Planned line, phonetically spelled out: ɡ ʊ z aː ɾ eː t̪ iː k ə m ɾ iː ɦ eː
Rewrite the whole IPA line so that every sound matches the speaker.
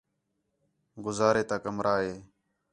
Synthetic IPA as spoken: ɡ ʊ z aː ɾ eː t̪ aː k ə m ɾ aː ɦ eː